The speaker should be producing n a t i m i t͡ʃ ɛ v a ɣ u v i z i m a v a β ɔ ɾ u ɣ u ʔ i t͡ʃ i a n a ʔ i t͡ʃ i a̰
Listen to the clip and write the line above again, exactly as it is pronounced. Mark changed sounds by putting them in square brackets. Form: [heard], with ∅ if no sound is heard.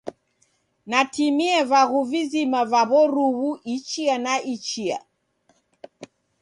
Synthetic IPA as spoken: n a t i m i [∅] ɛ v a ɣ u v i z i m a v a β ɔ ɾ u ɣ u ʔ i t͡ʃ i a n a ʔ i t͡ʃ i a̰